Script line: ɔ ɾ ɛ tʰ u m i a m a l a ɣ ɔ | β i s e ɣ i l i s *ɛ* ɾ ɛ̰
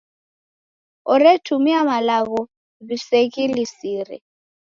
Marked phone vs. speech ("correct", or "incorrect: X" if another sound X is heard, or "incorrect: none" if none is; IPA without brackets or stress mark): incorrect: i